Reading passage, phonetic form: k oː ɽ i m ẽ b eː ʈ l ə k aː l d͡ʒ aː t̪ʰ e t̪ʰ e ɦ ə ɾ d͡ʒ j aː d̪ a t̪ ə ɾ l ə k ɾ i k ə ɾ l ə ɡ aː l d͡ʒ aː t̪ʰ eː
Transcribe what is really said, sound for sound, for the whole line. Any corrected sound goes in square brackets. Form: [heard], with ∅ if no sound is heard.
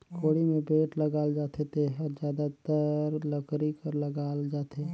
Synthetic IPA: k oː ɽ i m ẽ b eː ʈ l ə [ɡ] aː l d͡ʒ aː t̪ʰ e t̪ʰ e ɦ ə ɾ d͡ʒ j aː d̪ a t̪ ə ɾ l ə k ɾ i k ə ɾ l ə ɡ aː l d͡ʒ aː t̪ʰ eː